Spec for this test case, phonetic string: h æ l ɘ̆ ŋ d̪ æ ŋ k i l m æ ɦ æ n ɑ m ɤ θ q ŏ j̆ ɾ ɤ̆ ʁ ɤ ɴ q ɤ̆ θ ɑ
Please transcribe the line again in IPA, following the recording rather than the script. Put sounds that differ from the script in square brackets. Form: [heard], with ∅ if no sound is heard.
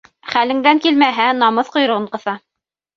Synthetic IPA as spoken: [χ] æ l ɘ̆ ŋ d̪ æ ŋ k i l m æ ɦ æ n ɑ m ɤ θ q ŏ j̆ ɾ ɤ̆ ʁ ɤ ɴ q ɤ̆ θ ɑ